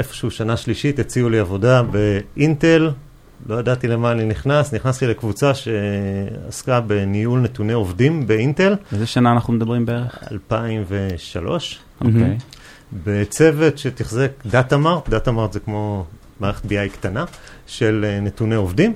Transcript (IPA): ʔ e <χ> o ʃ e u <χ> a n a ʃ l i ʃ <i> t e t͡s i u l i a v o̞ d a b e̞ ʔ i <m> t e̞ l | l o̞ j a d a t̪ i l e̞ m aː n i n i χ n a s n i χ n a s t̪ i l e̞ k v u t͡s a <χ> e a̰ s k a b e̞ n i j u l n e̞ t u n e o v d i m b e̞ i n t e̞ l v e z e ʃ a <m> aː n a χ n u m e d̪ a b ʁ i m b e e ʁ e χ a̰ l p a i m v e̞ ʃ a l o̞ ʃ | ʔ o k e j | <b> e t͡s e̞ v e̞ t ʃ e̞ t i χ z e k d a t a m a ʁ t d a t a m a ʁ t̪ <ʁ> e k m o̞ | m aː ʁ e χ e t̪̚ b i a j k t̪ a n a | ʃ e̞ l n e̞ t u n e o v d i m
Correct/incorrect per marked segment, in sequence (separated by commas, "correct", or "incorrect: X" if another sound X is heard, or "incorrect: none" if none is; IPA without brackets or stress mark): incorrect: f, incorrect: ʃ, correct, incorrect: n, incorrect: ʃ, incorrect: n, correct, incorrect: z